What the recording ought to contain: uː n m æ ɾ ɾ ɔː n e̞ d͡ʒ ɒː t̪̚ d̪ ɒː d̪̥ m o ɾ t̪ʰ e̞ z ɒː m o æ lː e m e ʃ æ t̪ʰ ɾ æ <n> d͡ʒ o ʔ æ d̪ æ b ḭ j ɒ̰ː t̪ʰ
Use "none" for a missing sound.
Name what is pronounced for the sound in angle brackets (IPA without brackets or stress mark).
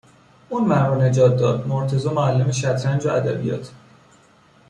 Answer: n